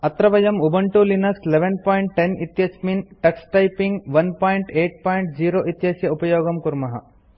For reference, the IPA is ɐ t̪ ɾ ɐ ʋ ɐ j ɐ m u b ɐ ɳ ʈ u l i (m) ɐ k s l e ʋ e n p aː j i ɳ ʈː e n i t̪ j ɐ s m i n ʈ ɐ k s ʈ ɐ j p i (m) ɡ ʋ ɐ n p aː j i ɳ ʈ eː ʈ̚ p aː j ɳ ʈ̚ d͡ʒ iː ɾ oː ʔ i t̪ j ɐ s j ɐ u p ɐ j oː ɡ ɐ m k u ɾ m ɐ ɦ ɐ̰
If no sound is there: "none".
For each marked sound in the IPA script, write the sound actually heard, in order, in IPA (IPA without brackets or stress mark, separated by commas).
n, ŋ